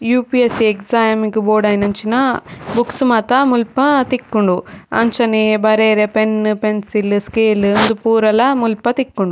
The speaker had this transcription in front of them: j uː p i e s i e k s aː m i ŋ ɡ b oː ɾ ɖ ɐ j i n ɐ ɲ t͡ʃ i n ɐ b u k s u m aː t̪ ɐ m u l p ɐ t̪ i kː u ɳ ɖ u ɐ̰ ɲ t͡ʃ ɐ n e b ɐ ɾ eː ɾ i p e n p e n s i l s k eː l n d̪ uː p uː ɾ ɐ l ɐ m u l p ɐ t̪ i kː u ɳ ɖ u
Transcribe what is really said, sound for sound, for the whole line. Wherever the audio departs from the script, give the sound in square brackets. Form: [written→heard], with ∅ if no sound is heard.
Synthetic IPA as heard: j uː p i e s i e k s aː m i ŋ ɡ b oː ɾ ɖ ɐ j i n ɐ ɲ t͡ʃ i n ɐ b u k s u m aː t̪ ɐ m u l p ɐ t̪ i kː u ɳ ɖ u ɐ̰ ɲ t͡ʃ ɐ n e b ɐ ɾ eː ɾ [i→e] p e n p e n s i l s k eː l n d̪ [uː→u] p uː ɾ ɐ l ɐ m u l p ɐ t̪ i kː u ɳ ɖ u